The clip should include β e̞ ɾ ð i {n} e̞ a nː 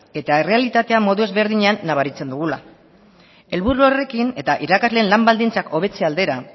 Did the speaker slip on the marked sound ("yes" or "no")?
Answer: yes